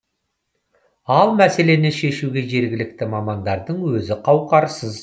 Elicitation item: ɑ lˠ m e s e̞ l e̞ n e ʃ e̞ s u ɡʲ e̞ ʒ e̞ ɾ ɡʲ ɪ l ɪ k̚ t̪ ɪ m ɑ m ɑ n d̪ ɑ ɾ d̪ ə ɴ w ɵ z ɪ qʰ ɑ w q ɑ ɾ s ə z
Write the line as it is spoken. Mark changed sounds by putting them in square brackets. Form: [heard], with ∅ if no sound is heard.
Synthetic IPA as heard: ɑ lˠ m [æ] s e̞ l e̞ n e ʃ e̞ [ʃ] u ɡʲ e̞ ʒ e̞ ɾ ɡʲ ɪ l ɪ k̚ t̪ ɪ m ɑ m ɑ n d̪ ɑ ɾ d̪ ə ɴ w ɵ z ɪ qʰ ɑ w q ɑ ɾ s ə z